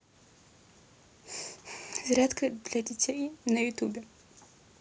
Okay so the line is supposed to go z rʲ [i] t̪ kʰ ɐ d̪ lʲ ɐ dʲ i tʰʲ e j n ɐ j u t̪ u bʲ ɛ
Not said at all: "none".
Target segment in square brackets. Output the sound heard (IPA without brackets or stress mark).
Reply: a